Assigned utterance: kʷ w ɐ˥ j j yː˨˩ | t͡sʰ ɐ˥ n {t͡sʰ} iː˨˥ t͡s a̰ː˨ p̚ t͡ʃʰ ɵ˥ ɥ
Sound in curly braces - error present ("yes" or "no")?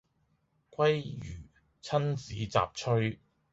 yes